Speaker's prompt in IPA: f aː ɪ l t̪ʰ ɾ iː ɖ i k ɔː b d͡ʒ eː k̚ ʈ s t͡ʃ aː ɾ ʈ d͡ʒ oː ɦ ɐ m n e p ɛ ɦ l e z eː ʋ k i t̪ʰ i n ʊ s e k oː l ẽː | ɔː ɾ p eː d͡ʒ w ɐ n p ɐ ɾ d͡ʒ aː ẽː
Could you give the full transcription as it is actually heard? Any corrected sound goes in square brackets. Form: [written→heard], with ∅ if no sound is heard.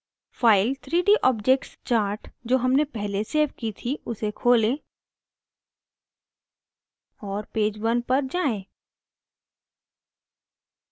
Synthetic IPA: f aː ɪ l t̪ʰ ɾ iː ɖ i [k→ʔ] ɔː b d͡ʒ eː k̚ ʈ s t͡ʃ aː ɾ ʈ d͡ʒ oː ɦ ɐ m n e p ɛ ɦ l e [z→s] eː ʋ k i t̪ʰ i [n→∅] ʊ s e [k→kʰ] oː l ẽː | ɔː ɾ p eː d͡ʒ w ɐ n p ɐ ɾ d͡ʒ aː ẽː